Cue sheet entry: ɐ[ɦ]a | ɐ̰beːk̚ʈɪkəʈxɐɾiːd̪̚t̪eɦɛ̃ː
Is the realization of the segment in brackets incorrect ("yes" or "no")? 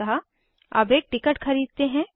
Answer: no